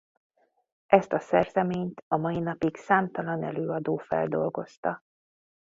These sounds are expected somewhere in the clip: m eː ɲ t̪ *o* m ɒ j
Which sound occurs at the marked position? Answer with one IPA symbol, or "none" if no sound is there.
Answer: ɒ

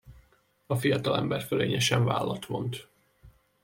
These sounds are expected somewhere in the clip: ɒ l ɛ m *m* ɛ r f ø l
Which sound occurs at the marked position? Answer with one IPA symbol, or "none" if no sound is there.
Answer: b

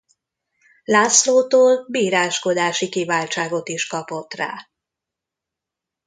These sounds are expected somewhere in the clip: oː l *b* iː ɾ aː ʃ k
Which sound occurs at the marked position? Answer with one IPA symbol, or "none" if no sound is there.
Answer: b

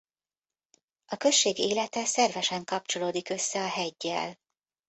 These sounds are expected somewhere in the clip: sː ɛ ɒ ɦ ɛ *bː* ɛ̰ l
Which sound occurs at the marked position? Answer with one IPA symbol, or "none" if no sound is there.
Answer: ɟː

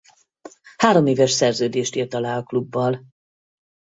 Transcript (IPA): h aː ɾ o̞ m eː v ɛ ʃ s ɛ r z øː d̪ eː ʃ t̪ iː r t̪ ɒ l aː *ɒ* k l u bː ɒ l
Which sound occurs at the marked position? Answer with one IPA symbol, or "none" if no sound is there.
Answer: ɒ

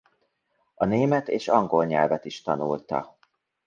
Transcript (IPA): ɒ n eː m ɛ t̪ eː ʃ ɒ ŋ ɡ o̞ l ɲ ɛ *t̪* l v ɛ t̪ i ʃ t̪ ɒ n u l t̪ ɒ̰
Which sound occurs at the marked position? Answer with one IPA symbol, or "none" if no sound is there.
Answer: none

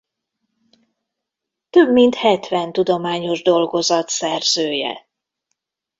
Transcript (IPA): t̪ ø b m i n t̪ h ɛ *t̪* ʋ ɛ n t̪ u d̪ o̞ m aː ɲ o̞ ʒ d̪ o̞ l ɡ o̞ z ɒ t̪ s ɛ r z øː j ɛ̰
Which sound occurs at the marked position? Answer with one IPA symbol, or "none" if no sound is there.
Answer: t̪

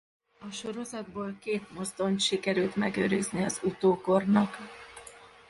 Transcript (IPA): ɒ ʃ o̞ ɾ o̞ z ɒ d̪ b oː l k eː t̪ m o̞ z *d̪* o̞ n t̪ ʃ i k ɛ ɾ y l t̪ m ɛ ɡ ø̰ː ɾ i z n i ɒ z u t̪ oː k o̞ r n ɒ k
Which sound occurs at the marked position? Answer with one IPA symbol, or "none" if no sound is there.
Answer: d̪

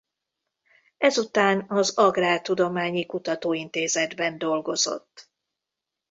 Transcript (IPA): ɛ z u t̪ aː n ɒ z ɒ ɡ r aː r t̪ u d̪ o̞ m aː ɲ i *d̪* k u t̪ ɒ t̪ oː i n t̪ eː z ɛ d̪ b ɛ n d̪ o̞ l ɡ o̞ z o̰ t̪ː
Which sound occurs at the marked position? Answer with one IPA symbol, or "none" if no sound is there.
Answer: none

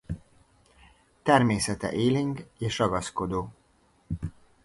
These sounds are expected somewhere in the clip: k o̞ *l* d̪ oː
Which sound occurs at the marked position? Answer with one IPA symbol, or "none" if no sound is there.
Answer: none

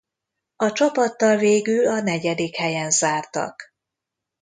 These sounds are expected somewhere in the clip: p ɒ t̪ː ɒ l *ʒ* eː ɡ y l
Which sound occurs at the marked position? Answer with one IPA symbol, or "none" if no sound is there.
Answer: v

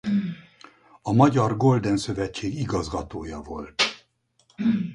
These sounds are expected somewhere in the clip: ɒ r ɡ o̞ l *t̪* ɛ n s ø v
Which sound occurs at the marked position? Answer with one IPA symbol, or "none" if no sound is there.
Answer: d̪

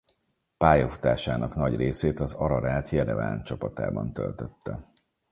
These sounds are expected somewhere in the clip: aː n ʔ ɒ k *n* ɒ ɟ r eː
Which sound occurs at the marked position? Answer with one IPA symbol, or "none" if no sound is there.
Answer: n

